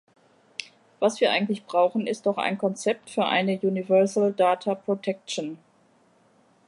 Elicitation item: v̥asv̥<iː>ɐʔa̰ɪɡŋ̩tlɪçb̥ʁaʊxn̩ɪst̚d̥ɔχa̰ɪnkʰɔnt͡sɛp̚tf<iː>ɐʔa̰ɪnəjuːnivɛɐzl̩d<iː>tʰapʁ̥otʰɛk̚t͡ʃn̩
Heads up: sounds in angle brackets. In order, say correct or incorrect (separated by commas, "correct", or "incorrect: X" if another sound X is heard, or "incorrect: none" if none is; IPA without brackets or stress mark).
correct, incorrect: yː, incorrect: aː